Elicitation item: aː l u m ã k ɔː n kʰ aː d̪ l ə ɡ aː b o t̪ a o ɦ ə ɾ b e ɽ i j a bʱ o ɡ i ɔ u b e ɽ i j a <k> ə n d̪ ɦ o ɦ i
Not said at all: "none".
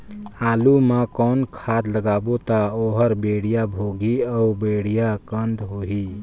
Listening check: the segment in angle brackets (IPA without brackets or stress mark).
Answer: k